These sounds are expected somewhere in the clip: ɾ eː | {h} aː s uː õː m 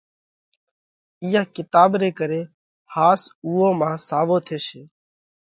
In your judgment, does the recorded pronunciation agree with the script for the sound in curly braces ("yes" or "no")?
yes